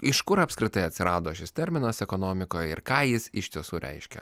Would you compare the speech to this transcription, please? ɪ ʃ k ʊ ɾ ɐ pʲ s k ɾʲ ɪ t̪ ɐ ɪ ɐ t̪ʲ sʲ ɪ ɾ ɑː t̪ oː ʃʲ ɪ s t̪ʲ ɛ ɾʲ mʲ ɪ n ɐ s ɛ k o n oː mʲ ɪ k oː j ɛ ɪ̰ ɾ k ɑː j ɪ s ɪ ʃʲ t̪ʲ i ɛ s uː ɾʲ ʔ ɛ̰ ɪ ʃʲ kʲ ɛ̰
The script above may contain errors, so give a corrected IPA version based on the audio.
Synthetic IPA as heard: ɪ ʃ k ʊ ɾ ɐ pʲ s k ɾʲ ɪ t̪ ɐ ɪ ɐ t̪ʲ sʲ ɪ ɾ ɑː d̪ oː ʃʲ ɪ s t̪ʲ ɛ ɾʲ mʲ ɪ n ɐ s ɛ k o n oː mʲ ɪ k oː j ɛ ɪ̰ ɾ k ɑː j ɪ s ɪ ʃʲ t̪ʲ i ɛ s uː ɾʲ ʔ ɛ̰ ɪ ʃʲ kʲ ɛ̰